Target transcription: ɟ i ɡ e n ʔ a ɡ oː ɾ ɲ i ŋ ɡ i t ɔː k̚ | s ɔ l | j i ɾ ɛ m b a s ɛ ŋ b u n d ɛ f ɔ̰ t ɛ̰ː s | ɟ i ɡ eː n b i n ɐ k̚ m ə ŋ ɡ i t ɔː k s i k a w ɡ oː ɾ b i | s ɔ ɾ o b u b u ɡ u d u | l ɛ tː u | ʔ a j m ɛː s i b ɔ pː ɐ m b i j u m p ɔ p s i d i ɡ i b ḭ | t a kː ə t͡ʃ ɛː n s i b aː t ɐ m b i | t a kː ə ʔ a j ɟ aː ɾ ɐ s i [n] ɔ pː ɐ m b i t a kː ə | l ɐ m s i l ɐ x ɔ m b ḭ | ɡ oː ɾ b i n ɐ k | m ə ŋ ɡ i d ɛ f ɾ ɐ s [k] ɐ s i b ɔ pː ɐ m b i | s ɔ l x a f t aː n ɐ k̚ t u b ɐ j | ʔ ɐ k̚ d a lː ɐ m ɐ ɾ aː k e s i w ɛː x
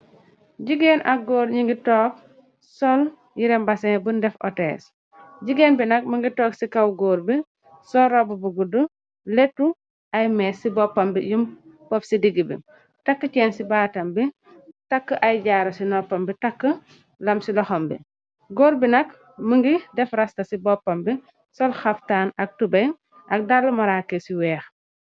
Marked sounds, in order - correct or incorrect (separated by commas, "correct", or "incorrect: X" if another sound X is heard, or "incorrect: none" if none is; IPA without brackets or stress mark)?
correct, incorrect: t